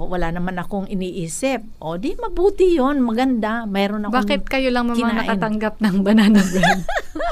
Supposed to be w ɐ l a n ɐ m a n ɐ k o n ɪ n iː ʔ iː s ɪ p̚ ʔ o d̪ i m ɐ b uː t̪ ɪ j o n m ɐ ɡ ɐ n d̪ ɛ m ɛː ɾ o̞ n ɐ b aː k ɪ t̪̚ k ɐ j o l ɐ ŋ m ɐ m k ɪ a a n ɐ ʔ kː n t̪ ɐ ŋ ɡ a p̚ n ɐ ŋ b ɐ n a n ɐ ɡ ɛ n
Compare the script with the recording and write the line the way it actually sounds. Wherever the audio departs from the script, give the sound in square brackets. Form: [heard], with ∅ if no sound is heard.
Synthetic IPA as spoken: w ɐ l a n ɐ m a n ɐ k o [ŋ] ɪ n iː ʔ iː s ɪ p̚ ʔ o d̪ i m ɐ b uː t̪ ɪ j o n m ɐ ɡ ɐ n d̪ [a] m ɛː ɾ o̞ n ɐ b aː k ɪ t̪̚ k ɐ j o l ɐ ŋ m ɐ m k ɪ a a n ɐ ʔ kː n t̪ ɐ ŋ ɡ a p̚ n ɐ ŋ b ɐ n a n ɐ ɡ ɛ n